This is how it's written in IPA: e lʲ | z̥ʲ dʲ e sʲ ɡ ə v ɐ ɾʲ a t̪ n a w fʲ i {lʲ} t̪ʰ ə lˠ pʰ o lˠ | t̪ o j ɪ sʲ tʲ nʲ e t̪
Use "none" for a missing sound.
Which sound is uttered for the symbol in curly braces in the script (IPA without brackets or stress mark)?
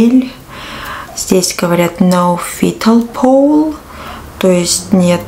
none